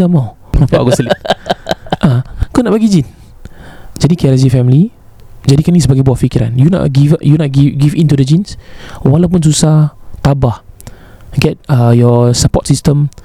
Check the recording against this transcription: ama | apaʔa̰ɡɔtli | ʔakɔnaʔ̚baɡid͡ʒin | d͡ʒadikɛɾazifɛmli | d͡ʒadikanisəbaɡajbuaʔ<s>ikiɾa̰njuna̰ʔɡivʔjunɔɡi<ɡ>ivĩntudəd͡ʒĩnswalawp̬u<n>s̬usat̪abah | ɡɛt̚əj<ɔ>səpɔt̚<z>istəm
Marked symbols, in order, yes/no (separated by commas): no, yes, yes, yes, no